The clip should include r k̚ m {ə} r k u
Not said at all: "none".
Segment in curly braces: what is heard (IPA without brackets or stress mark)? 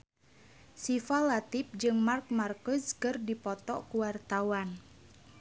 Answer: a